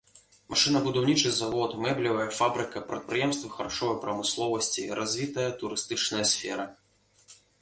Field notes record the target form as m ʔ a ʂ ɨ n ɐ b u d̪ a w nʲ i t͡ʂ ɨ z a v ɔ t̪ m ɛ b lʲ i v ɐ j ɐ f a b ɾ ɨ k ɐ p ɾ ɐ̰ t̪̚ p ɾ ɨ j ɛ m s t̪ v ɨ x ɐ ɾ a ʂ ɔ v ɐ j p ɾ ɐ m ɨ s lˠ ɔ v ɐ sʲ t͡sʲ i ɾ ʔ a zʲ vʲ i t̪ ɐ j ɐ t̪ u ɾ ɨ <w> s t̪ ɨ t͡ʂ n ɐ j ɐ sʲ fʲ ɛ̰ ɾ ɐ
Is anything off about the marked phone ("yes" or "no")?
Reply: yes